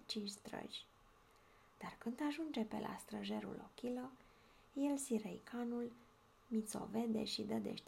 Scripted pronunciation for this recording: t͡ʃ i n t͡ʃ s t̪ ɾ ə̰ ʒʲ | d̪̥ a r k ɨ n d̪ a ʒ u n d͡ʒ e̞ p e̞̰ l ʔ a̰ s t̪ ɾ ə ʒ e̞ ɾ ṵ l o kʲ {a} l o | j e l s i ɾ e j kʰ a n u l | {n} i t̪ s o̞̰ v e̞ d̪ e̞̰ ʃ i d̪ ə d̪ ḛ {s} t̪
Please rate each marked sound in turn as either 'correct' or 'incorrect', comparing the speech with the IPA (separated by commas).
incorrect, incorrect, incorrect